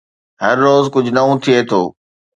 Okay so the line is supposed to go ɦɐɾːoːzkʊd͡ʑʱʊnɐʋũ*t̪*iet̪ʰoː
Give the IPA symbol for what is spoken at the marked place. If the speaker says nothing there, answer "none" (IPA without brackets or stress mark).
t̪ʰ